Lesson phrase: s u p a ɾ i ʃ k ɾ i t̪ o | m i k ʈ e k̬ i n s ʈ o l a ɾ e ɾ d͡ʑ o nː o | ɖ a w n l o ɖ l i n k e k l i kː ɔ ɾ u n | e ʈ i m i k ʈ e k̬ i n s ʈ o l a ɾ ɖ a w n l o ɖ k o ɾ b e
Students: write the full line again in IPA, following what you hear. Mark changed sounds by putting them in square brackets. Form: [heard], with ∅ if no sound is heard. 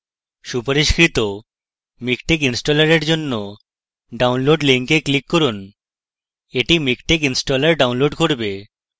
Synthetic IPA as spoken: [ʃ] u p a ɾ i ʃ k ɾ i t̪ o | m i k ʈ e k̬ i n s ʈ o l a ɾ e ɾ d͡ʑ o nː o | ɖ a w n l o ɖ l i [ŋ] k e k l i kː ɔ ɾ u n | e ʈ i m i k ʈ e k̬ i n s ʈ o l a ɾ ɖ a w n l o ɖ k o ɾ b e